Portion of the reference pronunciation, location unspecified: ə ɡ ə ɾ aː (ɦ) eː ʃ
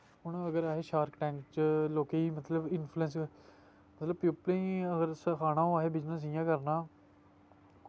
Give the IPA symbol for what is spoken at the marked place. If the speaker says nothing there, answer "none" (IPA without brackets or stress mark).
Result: ɦ